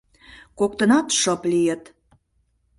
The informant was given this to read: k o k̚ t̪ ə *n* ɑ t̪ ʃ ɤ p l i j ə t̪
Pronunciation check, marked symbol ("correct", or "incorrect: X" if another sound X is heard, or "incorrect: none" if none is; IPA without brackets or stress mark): correct